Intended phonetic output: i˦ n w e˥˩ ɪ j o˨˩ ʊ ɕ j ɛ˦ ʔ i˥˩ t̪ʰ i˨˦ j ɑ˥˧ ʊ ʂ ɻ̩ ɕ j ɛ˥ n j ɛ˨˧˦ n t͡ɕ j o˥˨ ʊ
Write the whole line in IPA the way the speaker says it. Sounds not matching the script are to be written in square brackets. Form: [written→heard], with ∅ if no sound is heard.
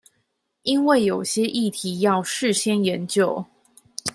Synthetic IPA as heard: i˦ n w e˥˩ ɪ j o˨˩ ʊ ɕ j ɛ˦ ʔ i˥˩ t̪ʰ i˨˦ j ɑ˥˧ ʊ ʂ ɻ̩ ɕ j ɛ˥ n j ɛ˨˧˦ n t͡ɕ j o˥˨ ʊ

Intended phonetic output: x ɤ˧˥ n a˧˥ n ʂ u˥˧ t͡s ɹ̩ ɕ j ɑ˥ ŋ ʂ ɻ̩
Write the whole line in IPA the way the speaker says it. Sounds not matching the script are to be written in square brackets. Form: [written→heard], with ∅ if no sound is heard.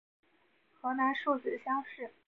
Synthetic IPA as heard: x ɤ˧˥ n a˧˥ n ʂ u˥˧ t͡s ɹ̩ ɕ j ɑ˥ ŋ ʂ ɻ̩

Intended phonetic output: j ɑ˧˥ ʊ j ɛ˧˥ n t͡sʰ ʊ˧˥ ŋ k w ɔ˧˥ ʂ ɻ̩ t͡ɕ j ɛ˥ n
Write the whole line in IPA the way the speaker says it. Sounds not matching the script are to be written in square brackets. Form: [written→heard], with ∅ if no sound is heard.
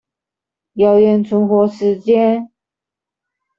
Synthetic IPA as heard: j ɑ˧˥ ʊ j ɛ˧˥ n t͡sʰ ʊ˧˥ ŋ [k→x] w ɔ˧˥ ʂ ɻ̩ t͡ɕ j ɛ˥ n

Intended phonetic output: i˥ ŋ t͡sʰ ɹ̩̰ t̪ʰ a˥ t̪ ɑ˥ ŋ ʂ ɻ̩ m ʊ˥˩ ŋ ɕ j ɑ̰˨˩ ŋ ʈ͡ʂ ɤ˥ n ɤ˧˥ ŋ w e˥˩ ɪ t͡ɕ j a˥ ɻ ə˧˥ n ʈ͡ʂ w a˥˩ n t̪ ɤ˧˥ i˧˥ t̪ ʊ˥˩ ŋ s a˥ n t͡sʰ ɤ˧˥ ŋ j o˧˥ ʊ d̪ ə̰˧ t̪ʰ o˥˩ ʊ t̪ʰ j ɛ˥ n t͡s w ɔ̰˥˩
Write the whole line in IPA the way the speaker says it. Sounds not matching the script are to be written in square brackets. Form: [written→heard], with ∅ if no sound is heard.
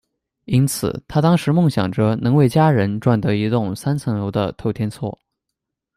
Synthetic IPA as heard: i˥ [ŋ→n] t͡sʰ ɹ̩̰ t̪ʰ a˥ t̪ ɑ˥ ŋ ʂ ɻ̩ m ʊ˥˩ ŋ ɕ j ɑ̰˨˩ ŋ ʈ͡ʂ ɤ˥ n ɤ˧˥ ŋ w e˥˩ ɪ t͡ɕ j a˥ ɻ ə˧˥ n ʈ͡ʂ w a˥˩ n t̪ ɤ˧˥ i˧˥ t̪ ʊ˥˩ ŋ s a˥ n t͡sʰ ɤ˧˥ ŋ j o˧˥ ʊ d̪ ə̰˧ t̪ʰ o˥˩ ʊ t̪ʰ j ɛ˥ n [t͡s→t͡sʰ] w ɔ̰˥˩

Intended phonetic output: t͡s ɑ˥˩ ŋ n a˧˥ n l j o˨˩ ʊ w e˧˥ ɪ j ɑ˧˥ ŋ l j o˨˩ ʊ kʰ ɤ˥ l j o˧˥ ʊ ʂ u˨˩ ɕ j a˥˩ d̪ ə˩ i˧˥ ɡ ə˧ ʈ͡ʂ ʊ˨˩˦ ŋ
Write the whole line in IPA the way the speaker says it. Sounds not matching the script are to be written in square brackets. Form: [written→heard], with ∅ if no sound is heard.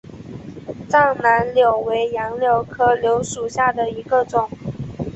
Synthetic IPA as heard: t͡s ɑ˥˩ ŋ n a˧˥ n l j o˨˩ ʊ w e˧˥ ɪ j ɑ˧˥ ŋ l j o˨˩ ʊ kʰ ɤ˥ l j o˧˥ ʊ ʂ u˨˩ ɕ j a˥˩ d̪ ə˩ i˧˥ ɡ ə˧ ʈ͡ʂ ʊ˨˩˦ ŋ

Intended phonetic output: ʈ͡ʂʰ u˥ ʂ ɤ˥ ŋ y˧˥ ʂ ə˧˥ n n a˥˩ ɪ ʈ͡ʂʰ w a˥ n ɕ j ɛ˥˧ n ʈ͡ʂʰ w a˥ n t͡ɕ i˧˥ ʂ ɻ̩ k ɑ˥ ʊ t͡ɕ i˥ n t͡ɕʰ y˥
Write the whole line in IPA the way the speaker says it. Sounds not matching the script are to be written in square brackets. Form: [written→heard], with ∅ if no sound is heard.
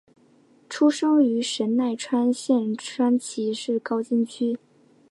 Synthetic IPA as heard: ʈ͡ʂʰ u˥ ʂ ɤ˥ ŋ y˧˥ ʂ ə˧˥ n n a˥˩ ɪ ʈ͡ʂʰ w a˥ n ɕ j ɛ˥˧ n ʈ͡ʂʰ w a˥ n [t͡ɕ→t͡ɕʰ] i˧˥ ʂ ɻ̩ k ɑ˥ ʊ t͡ɕ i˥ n t͡ɕʰ y˥

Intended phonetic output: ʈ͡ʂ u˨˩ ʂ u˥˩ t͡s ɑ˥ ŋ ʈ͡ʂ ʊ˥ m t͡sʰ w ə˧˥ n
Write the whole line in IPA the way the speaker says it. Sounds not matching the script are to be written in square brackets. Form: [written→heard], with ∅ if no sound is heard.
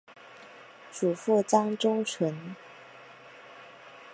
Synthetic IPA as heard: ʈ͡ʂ u˨˩ [ʂ→f] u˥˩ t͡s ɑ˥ ŋ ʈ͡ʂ ʊ˥ [m→ŋ] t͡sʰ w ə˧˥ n

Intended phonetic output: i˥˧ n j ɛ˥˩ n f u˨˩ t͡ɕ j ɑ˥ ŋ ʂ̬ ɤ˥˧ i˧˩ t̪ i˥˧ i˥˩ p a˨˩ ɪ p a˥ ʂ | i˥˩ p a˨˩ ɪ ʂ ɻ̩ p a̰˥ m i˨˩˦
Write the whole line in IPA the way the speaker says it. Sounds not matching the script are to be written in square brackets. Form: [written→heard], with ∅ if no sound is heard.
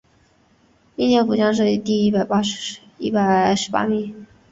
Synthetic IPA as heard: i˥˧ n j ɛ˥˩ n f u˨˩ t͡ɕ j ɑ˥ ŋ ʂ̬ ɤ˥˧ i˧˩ t̪ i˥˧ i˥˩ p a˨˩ ɪ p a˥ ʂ | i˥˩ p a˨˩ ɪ ʂ ɻ̩ p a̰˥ m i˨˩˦

